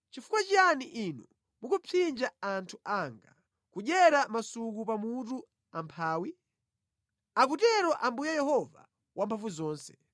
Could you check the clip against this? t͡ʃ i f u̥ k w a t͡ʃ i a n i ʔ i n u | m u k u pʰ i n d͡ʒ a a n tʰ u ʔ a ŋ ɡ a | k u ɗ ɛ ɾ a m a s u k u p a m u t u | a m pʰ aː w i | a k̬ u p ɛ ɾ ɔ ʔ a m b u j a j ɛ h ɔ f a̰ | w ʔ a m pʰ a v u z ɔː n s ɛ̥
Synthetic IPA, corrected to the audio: t͡ʃ i f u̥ k w a t͡ʃ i a n i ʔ i n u | m u k u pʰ i n d͡ʒ a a n tʰ u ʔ a ŋ ɡ a | k u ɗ ɛ ɾ a m a s u k u p a m u t u | a m pʰ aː w i | a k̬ u t ɛ ɾ ɔ ʔ a m b u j a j ɛ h ɔ v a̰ | w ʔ a m pʰ a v u z ɔː n s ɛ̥